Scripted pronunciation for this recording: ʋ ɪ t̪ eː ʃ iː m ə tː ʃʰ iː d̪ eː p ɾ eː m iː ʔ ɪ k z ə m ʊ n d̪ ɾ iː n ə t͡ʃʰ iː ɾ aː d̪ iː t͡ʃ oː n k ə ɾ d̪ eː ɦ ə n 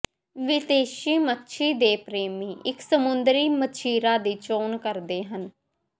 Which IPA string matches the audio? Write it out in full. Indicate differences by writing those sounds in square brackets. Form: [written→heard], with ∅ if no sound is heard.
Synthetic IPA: ʋ ɪ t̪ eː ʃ iː m ə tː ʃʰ iː d̪ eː p ɾ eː m iː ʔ ɪ k [z→s] ə m ʊ n d̪ ɾ iː [n→m] ə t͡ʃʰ iː ɾ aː d̪ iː t͡ʃ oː n k ə ɾ d̪ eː ɦ ə n